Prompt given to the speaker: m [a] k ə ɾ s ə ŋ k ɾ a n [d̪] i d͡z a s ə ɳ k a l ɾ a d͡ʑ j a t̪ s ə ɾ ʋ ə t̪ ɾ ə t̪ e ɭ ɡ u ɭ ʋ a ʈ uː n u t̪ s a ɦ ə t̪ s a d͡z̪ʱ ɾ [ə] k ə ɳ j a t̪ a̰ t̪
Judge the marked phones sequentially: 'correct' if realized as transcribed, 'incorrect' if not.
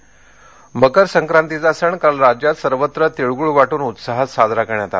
incorrect, incorrect, incorrect

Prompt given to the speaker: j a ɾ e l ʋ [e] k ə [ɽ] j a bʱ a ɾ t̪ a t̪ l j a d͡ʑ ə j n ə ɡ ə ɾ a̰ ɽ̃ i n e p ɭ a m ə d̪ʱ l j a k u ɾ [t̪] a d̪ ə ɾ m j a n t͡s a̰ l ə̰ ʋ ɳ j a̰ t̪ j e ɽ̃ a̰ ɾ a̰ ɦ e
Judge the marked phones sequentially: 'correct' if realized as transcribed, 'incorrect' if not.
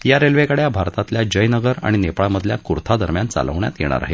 correct, correct, incorrect

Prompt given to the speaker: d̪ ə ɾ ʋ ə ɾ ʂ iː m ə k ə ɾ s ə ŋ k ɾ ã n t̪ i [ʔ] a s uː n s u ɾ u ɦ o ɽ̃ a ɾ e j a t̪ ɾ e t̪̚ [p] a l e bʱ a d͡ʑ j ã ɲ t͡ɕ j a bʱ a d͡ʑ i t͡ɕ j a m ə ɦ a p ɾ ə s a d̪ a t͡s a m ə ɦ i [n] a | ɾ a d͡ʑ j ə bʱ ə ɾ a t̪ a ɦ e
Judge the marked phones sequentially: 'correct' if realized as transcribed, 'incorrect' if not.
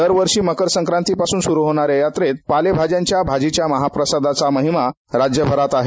incorrect, correct, incorrect

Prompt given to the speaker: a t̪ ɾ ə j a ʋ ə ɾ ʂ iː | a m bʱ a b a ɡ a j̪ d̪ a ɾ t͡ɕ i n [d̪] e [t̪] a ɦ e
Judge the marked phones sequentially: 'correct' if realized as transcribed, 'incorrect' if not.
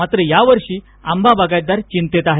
incorrect, correct

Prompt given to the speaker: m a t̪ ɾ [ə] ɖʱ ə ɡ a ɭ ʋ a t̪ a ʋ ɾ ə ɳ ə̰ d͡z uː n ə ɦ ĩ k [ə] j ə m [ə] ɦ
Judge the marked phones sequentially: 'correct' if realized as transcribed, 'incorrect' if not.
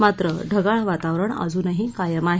correct, incorrect, incorrect

